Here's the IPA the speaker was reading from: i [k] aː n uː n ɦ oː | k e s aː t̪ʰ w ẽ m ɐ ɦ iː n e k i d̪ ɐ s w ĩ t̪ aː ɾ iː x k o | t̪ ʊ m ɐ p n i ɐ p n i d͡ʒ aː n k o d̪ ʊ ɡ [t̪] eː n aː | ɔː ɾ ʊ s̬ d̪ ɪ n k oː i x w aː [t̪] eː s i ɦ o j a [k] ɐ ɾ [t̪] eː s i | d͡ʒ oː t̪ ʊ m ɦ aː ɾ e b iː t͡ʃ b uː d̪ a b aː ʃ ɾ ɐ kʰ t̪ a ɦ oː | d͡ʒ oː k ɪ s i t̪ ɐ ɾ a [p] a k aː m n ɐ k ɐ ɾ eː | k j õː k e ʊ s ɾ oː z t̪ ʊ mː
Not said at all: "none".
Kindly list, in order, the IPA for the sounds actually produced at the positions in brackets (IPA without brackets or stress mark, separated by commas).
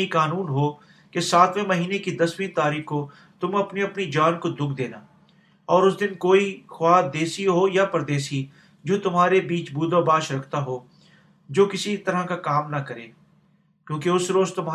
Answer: k, d̪, d̪, p, d̪, k